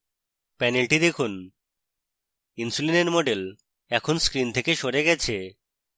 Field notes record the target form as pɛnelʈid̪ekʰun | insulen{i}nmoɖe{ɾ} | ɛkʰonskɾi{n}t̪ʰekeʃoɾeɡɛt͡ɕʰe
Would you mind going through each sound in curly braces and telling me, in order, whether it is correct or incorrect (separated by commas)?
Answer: incorrect, incorrect, correct